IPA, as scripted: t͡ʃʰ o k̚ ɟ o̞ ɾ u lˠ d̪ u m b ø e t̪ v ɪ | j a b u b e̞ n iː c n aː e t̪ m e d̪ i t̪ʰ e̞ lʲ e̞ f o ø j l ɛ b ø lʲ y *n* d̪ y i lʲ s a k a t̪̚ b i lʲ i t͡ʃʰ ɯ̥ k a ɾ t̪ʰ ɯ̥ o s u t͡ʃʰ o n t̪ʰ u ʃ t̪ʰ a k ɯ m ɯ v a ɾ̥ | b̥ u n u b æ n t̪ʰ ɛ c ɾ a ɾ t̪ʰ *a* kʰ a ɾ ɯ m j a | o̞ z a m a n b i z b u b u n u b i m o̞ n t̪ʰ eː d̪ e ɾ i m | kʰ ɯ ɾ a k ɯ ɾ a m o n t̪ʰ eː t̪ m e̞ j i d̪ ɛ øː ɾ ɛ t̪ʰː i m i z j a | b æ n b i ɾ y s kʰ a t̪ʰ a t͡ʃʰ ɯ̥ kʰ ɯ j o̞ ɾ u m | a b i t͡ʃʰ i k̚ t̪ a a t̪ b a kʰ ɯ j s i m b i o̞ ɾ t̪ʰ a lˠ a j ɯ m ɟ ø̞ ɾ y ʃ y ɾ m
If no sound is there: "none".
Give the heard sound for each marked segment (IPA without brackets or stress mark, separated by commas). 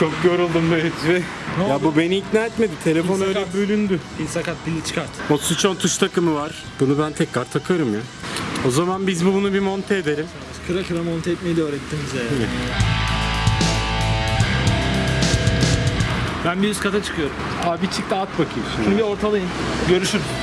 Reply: n, a